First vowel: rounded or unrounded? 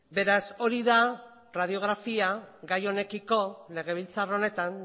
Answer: unrounded